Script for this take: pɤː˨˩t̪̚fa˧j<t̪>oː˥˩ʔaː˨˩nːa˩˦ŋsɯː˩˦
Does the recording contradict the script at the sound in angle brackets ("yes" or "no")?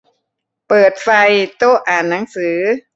no